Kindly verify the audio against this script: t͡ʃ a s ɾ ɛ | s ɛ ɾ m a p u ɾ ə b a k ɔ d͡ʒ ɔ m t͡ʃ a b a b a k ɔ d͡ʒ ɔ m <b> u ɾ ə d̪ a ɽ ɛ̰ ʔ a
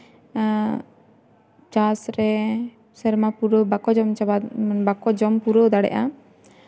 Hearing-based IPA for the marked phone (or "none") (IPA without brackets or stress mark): p